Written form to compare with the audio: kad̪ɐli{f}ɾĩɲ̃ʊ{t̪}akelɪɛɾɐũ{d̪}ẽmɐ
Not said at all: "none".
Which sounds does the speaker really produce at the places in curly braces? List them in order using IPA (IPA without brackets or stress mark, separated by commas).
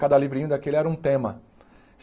v, d̪, t̪